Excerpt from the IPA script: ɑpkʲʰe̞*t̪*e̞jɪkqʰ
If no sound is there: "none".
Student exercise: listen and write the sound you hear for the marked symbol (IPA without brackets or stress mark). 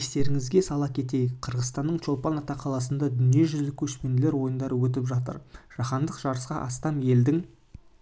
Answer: t̪